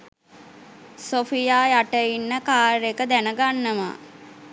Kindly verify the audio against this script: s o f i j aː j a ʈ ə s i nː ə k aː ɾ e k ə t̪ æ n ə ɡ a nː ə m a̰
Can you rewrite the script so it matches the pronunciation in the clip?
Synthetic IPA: s o f i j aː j a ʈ ə i nː ə k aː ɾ e k ə d̪ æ n ə ɡ a nː ə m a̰